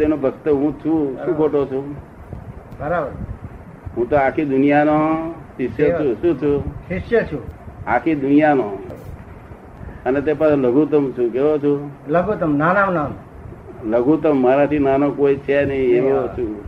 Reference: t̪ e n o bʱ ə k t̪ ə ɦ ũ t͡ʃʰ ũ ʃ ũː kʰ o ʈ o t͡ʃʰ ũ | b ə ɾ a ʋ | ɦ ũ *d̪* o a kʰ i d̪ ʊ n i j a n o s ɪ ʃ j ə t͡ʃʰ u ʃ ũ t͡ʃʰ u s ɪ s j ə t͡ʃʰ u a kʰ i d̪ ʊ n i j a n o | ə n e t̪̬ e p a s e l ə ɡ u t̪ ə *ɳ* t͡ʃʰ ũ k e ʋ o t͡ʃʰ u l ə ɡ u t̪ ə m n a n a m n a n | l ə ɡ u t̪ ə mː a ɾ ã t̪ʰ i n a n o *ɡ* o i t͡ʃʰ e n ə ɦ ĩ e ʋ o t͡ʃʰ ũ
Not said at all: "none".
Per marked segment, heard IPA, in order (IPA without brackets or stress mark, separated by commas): t̪, m, k